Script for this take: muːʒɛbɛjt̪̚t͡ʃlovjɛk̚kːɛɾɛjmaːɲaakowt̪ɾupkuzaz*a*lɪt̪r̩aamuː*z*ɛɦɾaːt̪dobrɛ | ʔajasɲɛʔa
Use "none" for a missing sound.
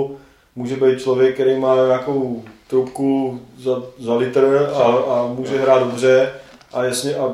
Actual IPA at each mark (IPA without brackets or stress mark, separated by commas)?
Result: a, ʒ